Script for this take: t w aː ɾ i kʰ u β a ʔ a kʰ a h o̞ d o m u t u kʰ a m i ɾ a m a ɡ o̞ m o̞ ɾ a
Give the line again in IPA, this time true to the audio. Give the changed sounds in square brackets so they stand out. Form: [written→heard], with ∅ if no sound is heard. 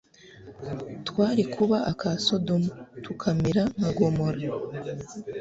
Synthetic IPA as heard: t w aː ɾ i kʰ u β a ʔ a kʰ a [h→s] o̞ d o m u t u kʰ a m i ɾ a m a ɡ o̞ m o̞ ɾ a